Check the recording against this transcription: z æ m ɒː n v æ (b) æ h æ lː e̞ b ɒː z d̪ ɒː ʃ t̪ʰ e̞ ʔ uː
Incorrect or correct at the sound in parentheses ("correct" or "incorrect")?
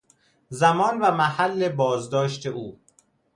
incorrect